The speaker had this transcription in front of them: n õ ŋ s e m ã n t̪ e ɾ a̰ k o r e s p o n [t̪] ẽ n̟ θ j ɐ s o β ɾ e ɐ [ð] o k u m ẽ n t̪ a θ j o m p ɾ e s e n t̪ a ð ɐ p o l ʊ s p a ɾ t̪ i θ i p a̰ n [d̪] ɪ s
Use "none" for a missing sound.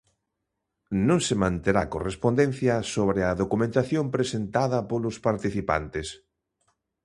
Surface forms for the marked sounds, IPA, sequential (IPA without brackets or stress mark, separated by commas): d̪, ð, t̪